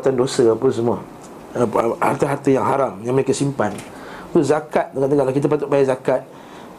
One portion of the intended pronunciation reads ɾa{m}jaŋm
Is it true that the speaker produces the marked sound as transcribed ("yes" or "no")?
yes